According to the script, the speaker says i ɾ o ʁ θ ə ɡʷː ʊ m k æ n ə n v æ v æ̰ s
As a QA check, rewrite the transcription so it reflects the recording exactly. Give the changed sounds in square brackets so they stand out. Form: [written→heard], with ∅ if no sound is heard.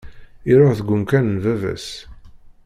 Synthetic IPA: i ɾ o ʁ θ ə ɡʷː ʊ m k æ n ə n v æ v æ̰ s